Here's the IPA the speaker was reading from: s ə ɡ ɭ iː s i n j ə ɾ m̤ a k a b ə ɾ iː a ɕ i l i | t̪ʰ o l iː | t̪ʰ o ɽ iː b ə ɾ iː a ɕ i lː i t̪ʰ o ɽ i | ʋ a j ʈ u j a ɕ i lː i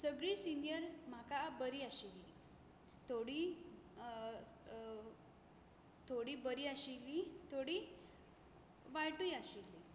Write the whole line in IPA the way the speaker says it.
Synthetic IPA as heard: s ə ɡ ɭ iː s i n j ə ɾ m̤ a k a b ə ɾ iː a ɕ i l i | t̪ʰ o ɽ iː | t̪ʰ o ɽ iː b ə ɾ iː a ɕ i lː i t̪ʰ o ɽ i | ʋ a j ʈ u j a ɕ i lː i